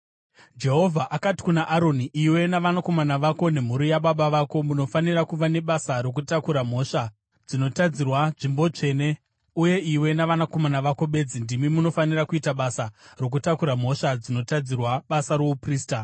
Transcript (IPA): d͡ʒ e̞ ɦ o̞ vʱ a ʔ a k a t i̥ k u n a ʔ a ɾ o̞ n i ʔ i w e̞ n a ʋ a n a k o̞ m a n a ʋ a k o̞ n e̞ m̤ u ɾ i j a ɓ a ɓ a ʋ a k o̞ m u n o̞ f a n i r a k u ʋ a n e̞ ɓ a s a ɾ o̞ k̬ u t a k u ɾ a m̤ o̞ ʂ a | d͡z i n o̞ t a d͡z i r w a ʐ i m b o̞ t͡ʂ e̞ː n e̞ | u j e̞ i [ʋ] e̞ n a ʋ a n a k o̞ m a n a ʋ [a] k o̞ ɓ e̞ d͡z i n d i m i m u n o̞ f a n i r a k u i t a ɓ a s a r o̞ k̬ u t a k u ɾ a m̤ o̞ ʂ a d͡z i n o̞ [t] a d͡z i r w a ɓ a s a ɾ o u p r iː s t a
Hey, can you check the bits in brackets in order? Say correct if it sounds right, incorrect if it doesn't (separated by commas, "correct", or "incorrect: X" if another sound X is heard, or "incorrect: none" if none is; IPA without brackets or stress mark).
incorrect: w, correct, correct